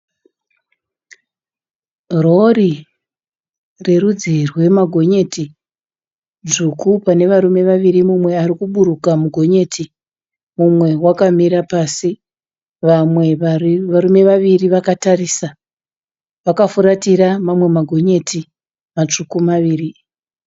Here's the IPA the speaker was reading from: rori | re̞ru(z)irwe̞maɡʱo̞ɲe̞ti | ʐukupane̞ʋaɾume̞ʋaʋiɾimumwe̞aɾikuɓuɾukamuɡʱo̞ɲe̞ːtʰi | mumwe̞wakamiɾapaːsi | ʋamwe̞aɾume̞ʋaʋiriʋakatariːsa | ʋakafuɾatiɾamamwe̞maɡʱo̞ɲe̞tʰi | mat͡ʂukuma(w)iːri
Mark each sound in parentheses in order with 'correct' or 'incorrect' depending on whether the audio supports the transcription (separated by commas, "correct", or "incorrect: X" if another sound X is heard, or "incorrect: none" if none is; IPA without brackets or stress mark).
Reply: incorrect: d͡z, incorrect: ʋ